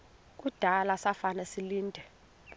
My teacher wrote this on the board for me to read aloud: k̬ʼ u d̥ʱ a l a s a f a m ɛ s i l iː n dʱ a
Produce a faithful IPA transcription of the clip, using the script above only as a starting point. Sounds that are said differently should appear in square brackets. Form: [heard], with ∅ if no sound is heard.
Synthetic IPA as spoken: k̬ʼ u d̥ʱ a l a s a f a [n] ɛ s i l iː n dʱ [ɛ]